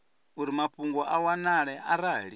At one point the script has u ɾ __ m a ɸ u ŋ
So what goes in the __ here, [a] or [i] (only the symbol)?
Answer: i